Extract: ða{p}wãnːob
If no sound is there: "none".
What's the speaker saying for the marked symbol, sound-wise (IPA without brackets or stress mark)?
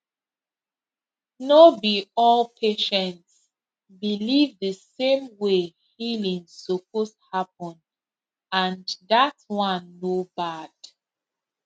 t